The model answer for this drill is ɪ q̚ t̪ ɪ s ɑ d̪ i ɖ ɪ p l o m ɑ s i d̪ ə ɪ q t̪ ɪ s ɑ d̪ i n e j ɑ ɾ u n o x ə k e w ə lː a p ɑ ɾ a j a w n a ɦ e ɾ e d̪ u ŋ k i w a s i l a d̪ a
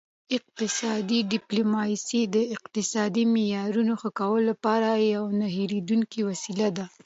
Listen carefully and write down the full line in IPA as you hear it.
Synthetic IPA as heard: ɪ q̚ t̪ ɪ s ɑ d̪ i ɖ ɪ p l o m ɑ s i d̪ ə ɪ q t̪ ɪ s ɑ d̪ i m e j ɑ ɾ u n o x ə k a w ə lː a p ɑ ɾ a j a w n a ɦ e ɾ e d̪ u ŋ k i w a s i l a d̪ a